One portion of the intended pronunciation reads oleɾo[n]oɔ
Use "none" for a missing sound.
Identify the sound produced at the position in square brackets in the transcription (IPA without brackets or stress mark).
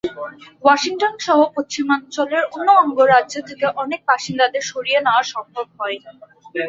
nː